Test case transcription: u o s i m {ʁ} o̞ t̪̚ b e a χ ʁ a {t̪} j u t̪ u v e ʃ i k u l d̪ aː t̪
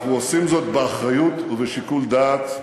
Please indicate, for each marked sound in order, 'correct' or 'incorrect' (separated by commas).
incorrect, incorrect